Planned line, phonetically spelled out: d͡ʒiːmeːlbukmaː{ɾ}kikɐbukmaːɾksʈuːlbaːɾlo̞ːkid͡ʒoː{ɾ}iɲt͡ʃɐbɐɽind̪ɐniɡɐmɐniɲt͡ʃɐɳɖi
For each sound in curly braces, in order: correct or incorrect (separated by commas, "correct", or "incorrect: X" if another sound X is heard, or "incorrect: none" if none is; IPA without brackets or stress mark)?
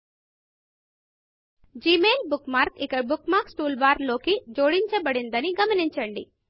correct, incorrect: ɽ